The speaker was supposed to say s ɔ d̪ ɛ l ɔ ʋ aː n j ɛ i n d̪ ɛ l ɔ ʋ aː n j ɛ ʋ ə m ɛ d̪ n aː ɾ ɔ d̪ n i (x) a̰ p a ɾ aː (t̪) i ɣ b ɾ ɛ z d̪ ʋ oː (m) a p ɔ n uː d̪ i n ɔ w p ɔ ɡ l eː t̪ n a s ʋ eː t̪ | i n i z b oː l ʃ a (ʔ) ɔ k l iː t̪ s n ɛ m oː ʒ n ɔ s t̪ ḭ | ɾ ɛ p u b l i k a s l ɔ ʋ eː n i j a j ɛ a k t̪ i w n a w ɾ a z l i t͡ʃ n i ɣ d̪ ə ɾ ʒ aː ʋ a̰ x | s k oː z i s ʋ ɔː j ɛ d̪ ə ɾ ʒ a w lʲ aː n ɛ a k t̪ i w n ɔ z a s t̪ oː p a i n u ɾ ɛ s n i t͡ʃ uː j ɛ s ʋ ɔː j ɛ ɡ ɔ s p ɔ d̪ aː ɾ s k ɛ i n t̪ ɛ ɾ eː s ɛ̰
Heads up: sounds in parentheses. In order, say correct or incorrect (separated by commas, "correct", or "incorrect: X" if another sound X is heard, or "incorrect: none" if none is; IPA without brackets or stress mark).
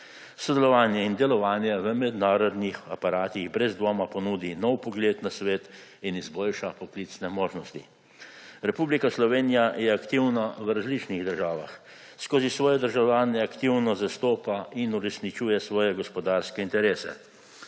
correct, correct, correct, incorrect: p